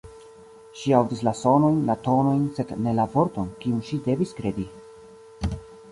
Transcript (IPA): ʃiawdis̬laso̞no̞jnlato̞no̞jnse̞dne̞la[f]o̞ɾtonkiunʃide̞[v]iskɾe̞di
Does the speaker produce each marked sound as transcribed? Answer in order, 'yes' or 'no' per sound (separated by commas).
no, yes